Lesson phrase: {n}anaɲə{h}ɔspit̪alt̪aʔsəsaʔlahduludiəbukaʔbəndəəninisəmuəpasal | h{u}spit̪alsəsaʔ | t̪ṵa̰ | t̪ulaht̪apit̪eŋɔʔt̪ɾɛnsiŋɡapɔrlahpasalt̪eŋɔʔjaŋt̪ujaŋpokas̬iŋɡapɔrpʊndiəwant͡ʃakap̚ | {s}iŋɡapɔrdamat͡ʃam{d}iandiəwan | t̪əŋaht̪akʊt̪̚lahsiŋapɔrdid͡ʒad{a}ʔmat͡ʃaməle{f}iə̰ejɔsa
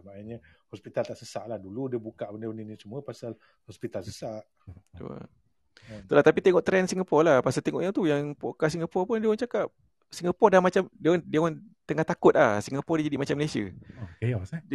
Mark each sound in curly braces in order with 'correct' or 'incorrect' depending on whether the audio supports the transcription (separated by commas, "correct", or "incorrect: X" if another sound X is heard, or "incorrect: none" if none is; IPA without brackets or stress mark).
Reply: incorrect: m, correct, incorrect: ɔ, correct, correct, incorrect: i, incorrect: s